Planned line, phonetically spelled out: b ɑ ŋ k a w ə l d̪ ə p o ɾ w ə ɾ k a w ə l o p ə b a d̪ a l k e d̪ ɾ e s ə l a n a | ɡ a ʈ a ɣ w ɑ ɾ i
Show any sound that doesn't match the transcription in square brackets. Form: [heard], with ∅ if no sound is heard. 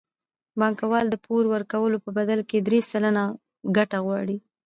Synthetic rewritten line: b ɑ ŋ k a w [ɑ] l d̪ ə p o ɾ w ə ɾ k a w ə l o p ə b a d̪ a l k e d̪ ɾ e s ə l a n a | ɡ a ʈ a ɣ w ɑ [ɽ] i